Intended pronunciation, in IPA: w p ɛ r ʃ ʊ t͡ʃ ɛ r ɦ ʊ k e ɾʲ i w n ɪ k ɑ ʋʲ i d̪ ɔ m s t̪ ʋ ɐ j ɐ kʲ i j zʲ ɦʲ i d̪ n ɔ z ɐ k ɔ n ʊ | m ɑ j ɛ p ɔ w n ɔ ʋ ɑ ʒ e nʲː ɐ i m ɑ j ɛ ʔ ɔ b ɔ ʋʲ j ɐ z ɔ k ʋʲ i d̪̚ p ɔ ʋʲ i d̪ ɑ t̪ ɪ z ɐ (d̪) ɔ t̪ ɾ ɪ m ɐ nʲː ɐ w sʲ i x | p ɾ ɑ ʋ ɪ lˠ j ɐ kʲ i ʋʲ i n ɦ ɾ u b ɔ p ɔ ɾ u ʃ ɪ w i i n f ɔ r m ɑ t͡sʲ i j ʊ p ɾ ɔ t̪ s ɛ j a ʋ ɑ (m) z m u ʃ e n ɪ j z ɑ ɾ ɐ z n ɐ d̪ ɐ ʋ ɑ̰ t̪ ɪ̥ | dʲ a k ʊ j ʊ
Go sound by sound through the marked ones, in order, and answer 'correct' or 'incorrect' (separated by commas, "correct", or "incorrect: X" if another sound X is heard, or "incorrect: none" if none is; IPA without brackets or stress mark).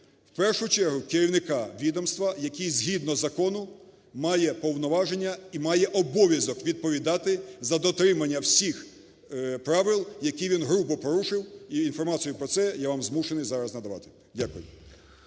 correct, correct